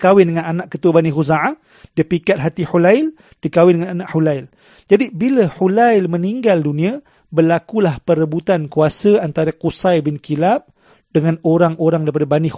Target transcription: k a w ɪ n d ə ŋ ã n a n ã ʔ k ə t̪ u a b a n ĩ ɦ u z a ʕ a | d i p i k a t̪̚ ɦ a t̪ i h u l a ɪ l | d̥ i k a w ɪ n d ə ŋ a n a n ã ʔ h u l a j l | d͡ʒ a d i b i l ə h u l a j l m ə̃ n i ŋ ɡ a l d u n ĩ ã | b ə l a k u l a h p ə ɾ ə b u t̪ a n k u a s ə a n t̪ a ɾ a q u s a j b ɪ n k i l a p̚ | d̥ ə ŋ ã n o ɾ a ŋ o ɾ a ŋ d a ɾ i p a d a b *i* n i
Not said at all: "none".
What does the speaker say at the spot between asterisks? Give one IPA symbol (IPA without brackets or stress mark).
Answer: a